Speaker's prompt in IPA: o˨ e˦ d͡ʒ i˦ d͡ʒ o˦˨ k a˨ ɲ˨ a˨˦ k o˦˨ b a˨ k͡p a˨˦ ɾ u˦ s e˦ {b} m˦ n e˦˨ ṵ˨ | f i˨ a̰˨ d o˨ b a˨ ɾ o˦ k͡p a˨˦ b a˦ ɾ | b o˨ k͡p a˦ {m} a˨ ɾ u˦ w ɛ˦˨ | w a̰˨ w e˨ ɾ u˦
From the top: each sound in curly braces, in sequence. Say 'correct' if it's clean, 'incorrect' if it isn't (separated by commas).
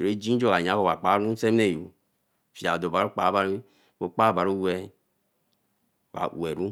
incorrect, incorrect